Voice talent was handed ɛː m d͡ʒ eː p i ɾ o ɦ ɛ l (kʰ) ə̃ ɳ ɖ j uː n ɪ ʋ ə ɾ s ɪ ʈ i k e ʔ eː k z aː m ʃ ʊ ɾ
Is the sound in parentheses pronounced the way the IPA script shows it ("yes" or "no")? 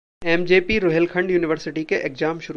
yes